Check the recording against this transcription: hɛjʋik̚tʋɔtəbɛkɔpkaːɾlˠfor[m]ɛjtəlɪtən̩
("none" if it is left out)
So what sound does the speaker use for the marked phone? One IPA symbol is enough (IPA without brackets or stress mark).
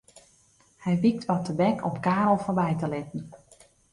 b